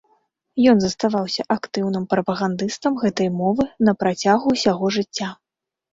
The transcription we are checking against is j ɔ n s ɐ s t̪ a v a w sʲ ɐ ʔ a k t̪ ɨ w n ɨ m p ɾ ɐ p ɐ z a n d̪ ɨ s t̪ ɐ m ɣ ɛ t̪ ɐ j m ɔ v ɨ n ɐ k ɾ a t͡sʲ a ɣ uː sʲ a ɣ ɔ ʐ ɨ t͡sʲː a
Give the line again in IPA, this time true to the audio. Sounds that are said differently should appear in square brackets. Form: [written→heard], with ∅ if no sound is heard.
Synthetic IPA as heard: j ɔ n [s→z] ɐ s t̪ a v a w sʲ ɐ ʔ a k t̪ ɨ w n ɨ m p ɾ ɐ p ɐ [z→ɣ] a n d̪ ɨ s t̪ ɐ m ɣ ɛ t̪ ɐ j m ɔ v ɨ n ɐ [k→p] ɾ a t͡sʲ a ɣ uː sʲ a ɣ ɔ ʐ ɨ t͡sʲː a